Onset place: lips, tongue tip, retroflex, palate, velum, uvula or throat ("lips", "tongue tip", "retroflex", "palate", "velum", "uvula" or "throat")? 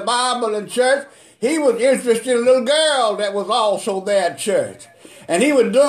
lips